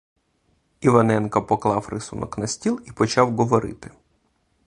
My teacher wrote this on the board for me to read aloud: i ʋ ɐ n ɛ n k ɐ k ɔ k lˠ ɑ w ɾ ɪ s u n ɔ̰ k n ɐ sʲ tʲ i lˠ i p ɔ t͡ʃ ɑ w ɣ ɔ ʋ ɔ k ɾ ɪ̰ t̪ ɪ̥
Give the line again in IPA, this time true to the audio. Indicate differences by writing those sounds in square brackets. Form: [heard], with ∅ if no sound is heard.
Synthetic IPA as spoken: i ʋ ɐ n ɛ n k ɐ [p] ɔ k lˠ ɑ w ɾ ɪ s u n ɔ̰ k n ɐ sʲ tʲ i lˠ i p ɔ t͡ʃ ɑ w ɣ ɔ ʋ ɔ [∅] ɾ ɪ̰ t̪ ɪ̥